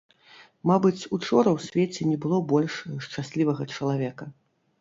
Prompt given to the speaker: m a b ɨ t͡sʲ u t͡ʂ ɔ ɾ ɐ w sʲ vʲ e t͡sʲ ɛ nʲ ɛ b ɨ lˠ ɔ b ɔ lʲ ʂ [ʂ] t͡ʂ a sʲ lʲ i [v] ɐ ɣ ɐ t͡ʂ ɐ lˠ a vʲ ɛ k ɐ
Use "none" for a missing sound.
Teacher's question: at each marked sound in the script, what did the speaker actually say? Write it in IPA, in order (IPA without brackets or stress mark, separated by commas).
ʂ, v